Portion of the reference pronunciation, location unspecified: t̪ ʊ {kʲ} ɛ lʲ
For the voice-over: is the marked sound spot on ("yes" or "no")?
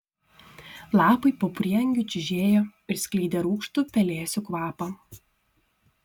no